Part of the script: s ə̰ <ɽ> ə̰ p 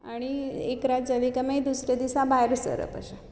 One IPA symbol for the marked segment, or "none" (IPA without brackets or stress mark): ɾ